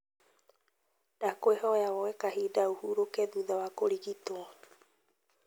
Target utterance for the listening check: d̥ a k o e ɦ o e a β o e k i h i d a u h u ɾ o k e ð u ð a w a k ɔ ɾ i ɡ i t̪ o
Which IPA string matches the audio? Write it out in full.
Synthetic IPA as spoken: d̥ a k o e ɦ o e a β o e k a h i d a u h u ɾ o k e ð u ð a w a k o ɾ i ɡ i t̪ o